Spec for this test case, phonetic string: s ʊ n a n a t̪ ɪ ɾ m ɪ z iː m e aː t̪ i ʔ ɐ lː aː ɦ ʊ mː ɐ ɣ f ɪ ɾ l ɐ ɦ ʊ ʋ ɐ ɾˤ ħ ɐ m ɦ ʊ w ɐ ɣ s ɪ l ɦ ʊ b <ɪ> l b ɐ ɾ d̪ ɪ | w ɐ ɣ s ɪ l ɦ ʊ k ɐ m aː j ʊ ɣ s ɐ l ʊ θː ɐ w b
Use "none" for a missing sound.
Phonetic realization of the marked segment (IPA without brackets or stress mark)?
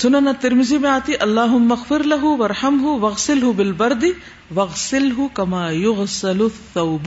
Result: ɪ